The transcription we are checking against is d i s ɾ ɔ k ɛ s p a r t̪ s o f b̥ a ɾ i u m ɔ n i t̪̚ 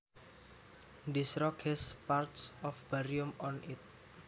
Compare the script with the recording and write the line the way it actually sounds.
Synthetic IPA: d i s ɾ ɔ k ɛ s p a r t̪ s ɔ f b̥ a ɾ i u m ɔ n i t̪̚